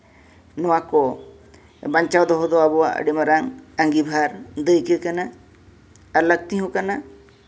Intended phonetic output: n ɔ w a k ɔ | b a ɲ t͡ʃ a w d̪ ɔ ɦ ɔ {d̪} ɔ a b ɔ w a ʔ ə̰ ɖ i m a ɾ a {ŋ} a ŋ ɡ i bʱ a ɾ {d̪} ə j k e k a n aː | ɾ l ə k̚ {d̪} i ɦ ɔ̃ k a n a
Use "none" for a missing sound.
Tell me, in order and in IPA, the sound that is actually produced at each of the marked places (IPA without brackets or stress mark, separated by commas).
d̪, ŋ, d̪, t̪